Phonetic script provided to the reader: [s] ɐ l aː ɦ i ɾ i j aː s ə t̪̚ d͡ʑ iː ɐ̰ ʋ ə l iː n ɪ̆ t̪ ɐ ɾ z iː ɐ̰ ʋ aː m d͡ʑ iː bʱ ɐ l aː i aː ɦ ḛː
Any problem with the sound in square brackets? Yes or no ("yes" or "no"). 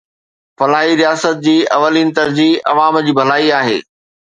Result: yes